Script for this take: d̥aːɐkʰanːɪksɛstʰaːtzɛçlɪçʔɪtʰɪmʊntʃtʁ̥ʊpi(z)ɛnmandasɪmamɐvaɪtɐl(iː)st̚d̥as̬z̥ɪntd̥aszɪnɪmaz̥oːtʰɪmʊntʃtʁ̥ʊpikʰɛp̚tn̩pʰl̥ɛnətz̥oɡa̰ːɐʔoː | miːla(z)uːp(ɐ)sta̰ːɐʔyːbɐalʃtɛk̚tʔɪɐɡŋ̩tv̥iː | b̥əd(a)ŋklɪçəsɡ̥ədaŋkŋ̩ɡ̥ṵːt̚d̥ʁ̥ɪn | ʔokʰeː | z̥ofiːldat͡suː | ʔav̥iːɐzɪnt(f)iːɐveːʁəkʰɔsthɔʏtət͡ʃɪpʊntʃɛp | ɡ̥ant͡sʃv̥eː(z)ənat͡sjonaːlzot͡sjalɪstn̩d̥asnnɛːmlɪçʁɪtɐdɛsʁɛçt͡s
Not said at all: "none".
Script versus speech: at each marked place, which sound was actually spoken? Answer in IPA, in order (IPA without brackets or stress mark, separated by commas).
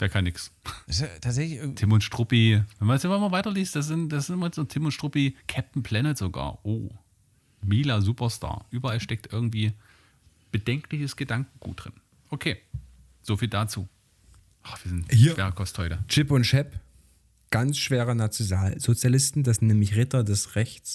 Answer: v, iː, z, ɐ, ɛ, h, ʁ